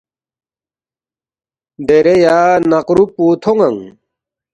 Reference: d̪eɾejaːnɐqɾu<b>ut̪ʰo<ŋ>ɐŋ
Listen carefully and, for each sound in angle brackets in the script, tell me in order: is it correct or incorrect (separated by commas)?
incorrect, correct